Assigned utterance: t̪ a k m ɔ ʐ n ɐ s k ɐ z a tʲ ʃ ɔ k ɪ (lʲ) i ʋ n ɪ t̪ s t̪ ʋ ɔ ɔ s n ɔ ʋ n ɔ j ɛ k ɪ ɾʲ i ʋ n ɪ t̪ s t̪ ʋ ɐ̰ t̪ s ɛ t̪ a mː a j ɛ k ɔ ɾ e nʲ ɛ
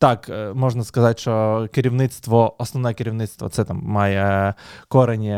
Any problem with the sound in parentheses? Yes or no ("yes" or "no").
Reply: yes